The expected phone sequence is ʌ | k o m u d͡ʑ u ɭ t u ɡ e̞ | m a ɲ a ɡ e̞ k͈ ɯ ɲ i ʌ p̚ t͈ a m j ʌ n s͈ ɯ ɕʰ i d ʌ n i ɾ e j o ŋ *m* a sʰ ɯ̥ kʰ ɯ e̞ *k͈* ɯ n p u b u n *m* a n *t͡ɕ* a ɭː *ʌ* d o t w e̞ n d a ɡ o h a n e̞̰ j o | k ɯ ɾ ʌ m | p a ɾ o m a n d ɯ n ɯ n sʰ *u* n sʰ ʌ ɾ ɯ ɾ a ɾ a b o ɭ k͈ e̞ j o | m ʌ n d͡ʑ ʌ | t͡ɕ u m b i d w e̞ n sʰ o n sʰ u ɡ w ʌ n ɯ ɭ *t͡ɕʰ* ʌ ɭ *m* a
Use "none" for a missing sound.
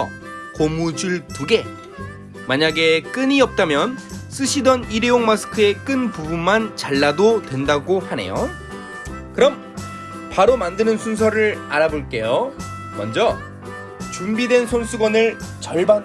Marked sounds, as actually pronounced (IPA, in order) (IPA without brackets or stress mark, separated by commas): m, k͈, m, t͡ɕ, a, u, t͡ɕ, b